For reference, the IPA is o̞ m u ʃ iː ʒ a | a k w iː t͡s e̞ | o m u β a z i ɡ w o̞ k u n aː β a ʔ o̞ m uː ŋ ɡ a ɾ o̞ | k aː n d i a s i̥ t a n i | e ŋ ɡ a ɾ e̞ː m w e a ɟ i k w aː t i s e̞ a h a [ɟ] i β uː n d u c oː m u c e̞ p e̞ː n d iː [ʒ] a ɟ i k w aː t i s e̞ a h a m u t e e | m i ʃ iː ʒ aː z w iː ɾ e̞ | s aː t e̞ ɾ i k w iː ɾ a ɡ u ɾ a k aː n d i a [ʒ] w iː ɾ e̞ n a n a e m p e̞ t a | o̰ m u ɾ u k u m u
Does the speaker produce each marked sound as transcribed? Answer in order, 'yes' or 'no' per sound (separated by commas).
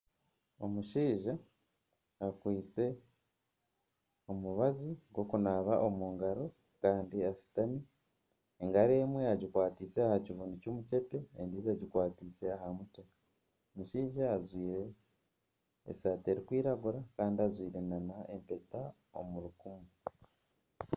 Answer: no, no, no